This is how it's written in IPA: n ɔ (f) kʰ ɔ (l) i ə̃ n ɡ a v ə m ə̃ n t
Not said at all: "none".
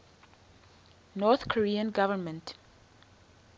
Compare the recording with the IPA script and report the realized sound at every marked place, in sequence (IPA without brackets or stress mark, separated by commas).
θ, ɹ